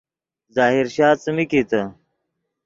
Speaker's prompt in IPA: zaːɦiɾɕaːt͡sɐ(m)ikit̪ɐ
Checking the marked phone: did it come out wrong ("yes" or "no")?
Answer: no